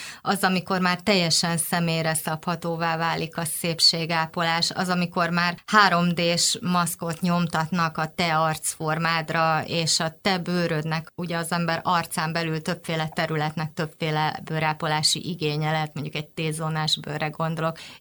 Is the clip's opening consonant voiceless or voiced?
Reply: voiced